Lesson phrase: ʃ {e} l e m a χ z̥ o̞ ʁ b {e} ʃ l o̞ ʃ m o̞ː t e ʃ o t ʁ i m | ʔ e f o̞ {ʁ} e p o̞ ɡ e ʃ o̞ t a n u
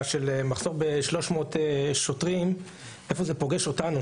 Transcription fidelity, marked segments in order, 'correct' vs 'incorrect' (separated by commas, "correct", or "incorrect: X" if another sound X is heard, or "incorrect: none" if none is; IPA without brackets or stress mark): correct, correct, incorrect: z